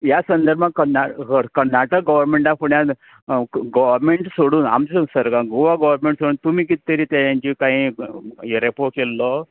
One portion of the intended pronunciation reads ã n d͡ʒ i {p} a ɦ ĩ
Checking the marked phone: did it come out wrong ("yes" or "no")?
yes